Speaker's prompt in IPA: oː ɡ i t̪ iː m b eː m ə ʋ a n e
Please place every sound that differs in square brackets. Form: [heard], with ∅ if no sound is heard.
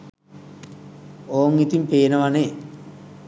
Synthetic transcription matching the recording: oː [ŋ] i t̪ [i] m [p] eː [n] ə ʋ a n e